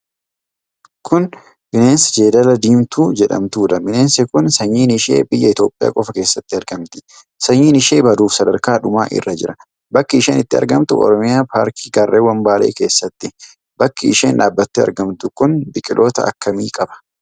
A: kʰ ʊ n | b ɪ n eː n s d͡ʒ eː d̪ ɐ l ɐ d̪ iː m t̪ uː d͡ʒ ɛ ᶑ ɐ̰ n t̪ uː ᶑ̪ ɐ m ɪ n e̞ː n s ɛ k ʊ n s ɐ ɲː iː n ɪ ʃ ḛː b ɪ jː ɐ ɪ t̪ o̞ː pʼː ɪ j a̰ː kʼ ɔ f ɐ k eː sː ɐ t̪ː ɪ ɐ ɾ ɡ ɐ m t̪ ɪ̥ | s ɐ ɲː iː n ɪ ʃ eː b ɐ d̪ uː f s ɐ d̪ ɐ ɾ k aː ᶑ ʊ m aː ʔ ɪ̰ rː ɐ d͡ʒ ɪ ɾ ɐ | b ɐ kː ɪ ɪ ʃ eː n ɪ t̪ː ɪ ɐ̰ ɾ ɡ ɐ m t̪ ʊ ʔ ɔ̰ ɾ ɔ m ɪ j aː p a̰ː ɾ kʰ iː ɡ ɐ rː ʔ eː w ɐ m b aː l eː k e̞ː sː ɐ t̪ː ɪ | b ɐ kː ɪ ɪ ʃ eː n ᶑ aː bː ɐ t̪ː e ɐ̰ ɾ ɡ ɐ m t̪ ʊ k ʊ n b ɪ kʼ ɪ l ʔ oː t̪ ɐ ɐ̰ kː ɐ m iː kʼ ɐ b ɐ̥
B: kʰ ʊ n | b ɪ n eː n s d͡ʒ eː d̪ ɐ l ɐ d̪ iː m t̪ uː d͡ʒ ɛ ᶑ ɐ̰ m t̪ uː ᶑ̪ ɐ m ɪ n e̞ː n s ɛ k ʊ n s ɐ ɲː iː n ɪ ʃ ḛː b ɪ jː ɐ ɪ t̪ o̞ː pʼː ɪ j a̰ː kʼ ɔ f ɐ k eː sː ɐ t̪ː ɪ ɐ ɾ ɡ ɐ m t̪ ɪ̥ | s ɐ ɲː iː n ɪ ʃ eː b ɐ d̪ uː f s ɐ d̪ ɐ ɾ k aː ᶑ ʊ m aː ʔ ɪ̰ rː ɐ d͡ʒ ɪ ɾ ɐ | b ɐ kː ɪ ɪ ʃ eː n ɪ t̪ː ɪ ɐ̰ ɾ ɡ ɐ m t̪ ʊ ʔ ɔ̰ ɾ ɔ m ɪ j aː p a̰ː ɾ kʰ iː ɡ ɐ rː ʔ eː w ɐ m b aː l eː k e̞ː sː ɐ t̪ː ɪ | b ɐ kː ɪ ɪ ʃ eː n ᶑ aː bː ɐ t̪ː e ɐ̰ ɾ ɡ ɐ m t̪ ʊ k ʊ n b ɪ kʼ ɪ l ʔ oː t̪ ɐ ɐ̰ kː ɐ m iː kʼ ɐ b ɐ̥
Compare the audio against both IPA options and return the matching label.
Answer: B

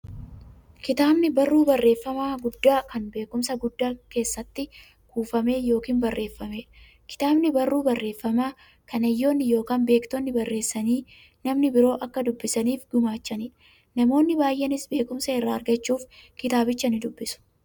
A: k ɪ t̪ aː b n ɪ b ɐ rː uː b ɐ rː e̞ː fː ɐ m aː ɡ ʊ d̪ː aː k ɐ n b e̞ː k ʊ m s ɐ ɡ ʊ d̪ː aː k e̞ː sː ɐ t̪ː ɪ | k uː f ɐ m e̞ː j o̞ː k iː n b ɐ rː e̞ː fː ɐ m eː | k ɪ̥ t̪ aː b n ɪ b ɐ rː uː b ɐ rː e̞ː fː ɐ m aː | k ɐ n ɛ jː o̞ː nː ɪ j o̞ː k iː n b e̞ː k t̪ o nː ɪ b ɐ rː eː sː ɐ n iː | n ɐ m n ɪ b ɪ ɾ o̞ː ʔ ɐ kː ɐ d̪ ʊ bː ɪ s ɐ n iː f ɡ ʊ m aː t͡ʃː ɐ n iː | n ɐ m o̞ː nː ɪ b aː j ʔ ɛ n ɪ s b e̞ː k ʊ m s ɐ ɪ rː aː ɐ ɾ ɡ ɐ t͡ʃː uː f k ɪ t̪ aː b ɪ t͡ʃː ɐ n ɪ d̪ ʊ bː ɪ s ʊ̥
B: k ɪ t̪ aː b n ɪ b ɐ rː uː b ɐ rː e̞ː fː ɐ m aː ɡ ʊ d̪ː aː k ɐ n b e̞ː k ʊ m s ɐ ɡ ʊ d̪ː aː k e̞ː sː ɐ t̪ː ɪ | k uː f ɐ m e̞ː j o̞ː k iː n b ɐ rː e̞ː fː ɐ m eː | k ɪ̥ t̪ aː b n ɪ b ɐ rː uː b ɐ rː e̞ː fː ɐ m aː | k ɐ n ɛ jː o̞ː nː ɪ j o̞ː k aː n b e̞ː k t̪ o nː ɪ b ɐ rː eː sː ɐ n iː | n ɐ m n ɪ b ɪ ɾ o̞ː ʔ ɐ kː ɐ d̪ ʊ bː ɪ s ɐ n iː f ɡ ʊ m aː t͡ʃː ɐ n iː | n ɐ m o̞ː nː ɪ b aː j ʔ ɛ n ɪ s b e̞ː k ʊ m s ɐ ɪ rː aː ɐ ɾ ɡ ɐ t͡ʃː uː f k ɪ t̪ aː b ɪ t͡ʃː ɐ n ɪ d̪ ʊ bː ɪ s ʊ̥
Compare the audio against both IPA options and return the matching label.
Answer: B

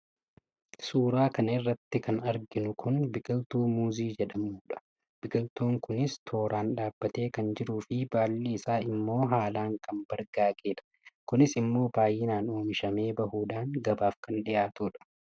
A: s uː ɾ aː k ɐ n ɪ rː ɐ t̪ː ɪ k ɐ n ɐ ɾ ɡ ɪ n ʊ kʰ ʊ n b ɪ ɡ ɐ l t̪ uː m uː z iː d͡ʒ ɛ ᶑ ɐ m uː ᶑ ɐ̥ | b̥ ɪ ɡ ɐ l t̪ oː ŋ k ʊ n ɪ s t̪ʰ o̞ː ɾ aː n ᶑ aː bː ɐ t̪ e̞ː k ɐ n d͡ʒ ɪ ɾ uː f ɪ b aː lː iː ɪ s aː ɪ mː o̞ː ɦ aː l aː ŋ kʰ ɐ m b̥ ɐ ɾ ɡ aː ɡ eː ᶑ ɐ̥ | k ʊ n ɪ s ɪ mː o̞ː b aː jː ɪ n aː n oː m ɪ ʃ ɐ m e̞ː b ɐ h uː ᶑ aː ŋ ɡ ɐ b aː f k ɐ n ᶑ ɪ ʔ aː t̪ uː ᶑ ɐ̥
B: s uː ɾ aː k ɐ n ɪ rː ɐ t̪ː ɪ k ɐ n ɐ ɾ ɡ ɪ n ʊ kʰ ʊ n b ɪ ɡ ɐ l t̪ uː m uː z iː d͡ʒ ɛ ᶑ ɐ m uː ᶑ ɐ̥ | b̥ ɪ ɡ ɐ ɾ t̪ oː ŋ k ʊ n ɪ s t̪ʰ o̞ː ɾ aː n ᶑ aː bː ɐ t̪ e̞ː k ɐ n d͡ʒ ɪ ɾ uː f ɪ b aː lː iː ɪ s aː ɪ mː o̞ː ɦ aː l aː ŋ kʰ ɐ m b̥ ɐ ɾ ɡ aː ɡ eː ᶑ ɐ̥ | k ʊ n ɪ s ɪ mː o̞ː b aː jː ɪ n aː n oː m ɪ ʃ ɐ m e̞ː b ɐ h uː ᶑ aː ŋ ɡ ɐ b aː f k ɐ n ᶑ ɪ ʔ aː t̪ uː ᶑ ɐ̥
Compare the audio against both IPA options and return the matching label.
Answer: A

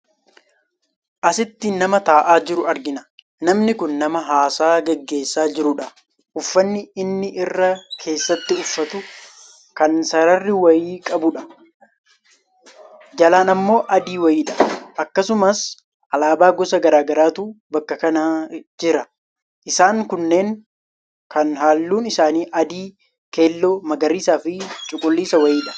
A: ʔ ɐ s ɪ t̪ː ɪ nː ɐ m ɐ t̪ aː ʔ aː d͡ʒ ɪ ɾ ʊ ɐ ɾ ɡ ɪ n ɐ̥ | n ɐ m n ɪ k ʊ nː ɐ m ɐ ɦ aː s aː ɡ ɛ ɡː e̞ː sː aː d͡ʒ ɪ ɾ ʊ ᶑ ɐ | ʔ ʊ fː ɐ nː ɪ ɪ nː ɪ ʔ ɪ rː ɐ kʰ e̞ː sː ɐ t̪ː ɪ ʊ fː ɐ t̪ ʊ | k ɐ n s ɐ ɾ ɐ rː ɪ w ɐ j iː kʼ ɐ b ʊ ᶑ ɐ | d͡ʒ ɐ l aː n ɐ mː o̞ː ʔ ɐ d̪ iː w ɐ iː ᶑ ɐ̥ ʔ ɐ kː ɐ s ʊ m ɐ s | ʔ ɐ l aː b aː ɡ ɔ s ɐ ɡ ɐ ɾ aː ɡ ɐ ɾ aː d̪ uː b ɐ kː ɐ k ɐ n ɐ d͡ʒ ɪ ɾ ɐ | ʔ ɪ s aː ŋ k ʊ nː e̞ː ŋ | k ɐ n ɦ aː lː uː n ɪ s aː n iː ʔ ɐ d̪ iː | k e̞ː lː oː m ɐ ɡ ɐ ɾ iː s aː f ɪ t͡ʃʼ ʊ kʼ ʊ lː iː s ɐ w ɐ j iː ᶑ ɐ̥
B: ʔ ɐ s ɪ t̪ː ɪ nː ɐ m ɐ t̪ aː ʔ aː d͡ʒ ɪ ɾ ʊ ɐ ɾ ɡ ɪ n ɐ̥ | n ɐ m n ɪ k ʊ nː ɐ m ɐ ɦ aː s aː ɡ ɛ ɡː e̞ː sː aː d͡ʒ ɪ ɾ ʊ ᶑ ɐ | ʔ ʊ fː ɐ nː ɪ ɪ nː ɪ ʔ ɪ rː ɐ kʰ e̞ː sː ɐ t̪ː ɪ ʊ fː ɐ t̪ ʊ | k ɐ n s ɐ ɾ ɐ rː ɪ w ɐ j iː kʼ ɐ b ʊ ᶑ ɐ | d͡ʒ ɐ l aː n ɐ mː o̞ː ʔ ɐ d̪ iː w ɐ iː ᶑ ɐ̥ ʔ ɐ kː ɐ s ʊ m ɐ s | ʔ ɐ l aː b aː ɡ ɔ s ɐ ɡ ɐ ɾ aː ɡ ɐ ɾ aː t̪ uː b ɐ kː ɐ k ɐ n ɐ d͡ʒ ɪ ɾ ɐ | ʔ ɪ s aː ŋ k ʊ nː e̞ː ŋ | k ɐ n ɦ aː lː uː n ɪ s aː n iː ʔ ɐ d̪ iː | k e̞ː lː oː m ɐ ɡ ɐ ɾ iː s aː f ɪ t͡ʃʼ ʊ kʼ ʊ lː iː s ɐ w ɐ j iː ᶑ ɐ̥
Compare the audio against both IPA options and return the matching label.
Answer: B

